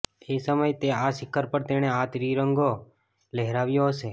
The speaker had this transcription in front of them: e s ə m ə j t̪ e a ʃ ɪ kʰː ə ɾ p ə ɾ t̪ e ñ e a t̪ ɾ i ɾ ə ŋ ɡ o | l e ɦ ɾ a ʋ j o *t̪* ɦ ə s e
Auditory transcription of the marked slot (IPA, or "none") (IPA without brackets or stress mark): none